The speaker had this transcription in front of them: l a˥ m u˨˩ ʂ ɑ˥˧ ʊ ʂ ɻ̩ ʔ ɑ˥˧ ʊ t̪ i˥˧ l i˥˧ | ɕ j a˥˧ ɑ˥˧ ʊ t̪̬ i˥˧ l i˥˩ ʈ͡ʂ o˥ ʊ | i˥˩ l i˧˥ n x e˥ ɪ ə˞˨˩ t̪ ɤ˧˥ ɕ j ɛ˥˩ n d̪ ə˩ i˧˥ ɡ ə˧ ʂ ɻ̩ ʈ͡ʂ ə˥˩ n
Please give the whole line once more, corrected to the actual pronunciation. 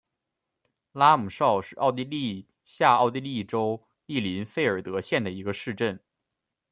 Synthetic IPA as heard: l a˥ m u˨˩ ʂ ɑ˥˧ ʊ ʂ ɻ̩ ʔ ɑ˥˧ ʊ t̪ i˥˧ l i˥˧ | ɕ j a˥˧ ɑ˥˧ ʊ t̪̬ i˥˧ l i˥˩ ʈ͡ʂ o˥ ʊ | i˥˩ l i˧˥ n f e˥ ɪ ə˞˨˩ t̪ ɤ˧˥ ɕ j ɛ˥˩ n d̪ ə˩ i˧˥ ɡ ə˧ ʂ ɻ̩ ʈ͡ʂ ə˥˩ n

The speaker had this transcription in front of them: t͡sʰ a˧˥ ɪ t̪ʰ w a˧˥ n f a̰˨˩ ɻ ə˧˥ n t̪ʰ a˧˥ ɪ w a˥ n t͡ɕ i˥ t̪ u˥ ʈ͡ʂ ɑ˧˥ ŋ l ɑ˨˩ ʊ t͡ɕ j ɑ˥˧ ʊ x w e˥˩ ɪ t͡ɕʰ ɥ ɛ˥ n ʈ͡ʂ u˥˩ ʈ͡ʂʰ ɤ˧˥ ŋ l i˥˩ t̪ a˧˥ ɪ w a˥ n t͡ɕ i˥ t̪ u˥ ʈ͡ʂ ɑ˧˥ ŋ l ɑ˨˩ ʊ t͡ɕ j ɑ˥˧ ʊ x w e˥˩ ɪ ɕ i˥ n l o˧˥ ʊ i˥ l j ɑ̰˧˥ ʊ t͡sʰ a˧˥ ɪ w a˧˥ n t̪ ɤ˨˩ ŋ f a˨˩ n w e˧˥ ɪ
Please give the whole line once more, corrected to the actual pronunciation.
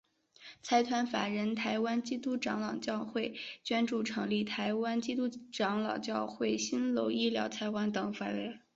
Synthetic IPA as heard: t͡sʰ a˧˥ ɪ t̪ʰ w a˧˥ n f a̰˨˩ ɻ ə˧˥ n t̪ʰ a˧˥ ɪ w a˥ n t͡ɕ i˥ t̪ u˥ ʈ͡ʂ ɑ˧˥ ŋ l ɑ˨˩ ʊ t͡ɕ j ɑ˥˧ ʊ x w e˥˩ ɪ t͡ɕ ɥ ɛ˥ n ʈ͡ʂ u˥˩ ʈ͡ʂʰ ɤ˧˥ ŋ l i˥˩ t̪ʰ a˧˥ ɪ w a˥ n t͡ɕ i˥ t̪ u˥ ʈ͡ʂ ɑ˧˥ ŋ l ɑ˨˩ ʊ t͡ɕ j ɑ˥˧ ʊ x w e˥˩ ɪ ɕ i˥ n l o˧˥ ʊ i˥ l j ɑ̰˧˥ ʊ t͡sʰ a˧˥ ɪ w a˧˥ n t̪ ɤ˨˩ ŋ f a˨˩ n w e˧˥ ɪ

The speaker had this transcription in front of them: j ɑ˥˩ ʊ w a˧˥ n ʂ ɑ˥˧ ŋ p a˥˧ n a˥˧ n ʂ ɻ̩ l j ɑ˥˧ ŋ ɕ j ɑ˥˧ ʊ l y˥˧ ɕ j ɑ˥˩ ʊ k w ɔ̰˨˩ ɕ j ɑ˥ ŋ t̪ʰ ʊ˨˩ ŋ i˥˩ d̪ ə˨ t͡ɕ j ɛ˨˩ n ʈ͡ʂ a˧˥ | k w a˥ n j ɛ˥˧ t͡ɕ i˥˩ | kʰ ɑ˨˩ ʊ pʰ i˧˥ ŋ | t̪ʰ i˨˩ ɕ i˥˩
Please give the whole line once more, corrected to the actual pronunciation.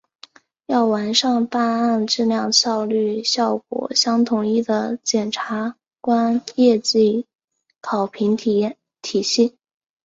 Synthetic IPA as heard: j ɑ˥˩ ʊ w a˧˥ n ʂ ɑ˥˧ ŋ p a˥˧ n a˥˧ n ʈ͡ʂ ɻ̩ l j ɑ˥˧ ŋ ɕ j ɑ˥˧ ʊ l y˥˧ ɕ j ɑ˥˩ ʊ k w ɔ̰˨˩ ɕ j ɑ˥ ŋ t̪ʰ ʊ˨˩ ŋ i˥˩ d̪ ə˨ t͡ɕ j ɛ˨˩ n ʈ͡ʂʰ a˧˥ | k w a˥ n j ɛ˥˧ t͡ɕ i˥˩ | kʰ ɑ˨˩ ʊ pʰ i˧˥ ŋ | t̪ʰ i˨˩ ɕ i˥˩

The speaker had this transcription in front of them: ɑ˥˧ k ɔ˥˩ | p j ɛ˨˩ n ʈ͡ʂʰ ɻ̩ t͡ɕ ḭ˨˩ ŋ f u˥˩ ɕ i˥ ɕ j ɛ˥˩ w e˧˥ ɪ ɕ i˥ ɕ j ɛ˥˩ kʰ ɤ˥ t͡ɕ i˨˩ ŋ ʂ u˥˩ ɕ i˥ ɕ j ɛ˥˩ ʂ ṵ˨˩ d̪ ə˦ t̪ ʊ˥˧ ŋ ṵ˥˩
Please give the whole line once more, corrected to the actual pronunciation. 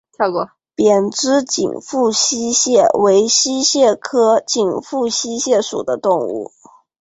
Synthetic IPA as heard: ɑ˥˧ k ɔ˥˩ | p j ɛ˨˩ n ʈ͡ʂ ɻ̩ t͡ɕ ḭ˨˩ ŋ f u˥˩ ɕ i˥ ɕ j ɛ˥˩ w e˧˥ ɪ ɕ i˥ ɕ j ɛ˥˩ kʰ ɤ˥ t͡ɕ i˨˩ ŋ f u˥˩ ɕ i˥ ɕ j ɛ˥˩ ʂ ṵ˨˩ d̪ ə˦ t̪ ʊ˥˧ ŋ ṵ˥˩

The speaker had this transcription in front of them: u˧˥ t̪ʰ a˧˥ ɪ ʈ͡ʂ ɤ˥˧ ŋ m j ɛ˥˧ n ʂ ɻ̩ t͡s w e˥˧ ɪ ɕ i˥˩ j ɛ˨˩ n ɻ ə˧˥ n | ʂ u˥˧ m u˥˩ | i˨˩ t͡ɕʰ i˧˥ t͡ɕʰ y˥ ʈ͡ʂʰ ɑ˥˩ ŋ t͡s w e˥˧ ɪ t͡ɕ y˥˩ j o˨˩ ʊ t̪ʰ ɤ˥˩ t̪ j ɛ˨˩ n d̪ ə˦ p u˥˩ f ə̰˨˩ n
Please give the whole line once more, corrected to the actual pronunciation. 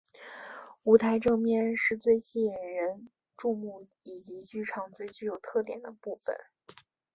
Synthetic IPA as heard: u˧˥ t̪ʰ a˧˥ ɪ ʈ͡ʂ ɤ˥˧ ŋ m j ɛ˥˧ n ʂ ɻ̩ t͡s w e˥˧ ɪ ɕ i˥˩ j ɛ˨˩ n ɻ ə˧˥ n | ʈ͡ʂ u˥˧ m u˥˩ | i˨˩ t͡ɕ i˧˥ t͡ɕ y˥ ʈ͡ʂʰ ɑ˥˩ ŋ t͡s w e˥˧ ɪ t͡ɕ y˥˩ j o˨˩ ʊ t̪ʰ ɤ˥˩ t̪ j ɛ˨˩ n d̪ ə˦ p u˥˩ f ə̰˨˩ n

